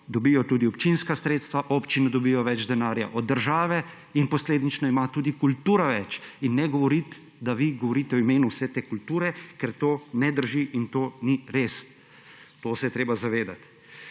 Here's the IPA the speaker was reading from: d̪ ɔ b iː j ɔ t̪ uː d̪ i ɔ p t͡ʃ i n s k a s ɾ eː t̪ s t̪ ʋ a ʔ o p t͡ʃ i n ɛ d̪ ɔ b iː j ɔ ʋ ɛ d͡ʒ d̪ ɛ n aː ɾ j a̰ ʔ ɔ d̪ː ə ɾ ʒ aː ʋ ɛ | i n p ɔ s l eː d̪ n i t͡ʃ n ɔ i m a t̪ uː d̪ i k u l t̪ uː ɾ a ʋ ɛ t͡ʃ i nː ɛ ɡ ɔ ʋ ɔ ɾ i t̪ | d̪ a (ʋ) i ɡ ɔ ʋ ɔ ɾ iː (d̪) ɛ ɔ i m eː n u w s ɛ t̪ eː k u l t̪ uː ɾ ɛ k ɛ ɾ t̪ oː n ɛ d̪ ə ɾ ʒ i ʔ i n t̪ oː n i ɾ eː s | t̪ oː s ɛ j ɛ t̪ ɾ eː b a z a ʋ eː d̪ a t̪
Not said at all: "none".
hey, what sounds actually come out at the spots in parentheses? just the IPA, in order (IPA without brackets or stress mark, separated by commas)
ʋ, t̪